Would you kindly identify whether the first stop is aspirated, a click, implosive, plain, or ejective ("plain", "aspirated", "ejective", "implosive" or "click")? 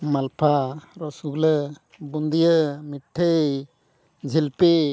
aspirated